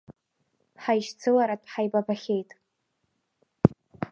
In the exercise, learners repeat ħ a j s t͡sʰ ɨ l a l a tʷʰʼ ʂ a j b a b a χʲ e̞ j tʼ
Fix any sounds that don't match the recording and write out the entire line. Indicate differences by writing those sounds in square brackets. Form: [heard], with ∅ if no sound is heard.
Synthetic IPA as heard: ħ a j [ʃ] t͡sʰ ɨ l a [ɾ] a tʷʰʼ [ħ] a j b a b a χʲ e̞ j tʼ